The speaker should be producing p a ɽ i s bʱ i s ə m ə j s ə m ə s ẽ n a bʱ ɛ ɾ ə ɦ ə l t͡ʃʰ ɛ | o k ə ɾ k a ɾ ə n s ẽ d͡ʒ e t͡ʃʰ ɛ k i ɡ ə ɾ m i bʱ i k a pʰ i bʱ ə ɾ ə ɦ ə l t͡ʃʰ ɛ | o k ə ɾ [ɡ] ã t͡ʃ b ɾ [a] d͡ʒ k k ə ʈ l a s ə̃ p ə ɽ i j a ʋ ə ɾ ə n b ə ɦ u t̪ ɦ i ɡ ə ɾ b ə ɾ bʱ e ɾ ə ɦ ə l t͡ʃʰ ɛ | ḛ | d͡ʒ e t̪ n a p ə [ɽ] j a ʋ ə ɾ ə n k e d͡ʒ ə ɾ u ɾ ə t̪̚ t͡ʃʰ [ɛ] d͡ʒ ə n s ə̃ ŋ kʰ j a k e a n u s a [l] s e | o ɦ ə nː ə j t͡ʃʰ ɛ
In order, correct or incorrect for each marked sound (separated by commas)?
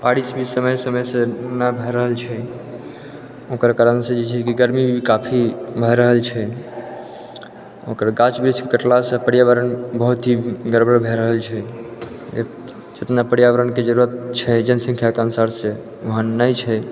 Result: correct, incorrect, correct, correct, incorrect